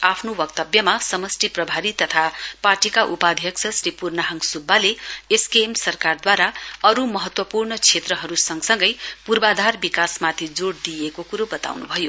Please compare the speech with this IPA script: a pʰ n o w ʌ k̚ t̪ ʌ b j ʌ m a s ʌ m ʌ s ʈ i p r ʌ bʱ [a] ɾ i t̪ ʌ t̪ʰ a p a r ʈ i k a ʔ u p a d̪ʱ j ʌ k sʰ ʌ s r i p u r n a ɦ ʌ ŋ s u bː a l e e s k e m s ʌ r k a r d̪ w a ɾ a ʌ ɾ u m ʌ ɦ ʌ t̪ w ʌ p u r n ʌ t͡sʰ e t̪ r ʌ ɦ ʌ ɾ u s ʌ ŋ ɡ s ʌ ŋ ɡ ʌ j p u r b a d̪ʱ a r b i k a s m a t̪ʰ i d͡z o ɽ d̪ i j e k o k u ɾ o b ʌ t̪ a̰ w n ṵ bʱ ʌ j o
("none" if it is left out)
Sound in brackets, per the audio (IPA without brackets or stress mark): a